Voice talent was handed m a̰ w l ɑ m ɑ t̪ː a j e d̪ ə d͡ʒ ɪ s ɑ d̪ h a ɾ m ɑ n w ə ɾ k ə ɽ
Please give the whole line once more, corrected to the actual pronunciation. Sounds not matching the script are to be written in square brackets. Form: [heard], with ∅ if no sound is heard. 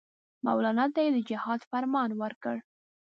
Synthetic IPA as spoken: m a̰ w l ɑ [n] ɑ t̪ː a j e d̪ ə d͡ʒ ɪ [h] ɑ d̪ [f] a ɾ m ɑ n w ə ɾ k ə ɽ